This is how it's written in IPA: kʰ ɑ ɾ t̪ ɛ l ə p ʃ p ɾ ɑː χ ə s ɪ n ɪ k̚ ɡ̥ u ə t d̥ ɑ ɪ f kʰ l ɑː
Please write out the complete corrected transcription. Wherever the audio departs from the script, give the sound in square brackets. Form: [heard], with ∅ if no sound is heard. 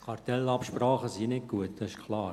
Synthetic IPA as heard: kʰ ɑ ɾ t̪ ɛ l [ɑ] p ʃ p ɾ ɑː χ ə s [i] n ɪ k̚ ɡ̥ u ə t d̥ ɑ ɪ [ʃ] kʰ l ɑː